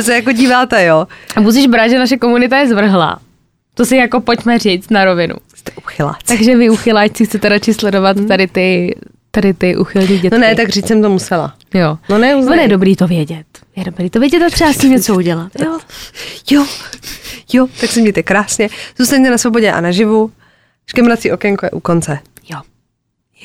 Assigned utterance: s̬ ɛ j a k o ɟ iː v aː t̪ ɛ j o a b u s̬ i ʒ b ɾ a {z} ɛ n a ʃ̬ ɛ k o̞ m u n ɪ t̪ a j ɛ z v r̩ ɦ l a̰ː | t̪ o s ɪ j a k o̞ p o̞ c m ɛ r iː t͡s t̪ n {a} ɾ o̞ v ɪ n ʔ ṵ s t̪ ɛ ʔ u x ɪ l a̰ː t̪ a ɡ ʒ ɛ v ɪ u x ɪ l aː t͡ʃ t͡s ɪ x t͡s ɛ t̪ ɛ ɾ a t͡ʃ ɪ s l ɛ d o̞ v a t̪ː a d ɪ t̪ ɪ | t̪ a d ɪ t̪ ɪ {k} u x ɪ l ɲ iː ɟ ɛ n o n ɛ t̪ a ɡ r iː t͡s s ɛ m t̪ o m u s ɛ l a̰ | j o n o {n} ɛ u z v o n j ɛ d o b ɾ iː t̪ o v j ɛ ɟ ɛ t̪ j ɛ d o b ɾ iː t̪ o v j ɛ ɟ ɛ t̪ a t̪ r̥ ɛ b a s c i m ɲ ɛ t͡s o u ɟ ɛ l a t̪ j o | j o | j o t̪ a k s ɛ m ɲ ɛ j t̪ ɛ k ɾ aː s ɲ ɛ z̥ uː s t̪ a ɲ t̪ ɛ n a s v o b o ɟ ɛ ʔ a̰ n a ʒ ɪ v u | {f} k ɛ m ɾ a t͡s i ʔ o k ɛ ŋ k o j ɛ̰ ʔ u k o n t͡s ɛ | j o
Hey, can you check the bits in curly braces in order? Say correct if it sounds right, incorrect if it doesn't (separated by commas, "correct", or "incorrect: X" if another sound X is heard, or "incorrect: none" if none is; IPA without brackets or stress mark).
incorrect: ʒ, correct, incorrect: ʔ, correct, incorrect: ʃ